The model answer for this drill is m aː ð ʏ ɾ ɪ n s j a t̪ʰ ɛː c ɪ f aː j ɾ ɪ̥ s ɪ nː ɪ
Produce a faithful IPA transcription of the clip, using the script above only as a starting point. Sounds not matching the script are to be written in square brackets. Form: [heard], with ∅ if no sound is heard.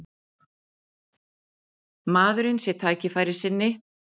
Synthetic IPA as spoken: m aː ð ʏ ɾ ɪ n s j [ɛ] t̪ʰ [aː] c ɪ f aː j ɾ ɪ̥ s ɪ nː ɪ